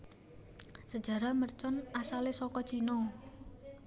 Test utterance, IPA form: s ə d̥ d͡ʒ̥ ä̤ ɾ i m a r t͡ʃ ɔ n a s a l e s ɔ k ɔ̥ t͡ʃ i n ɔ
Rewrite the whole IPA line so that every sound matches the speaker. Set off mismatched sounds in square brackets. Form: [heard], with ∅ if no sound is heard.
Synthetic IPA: s ə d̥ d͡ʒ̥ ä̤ ɾ [a] m [ə] r t͡ʃ ɔ n a s a l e s ɔ k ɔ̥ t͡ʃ i n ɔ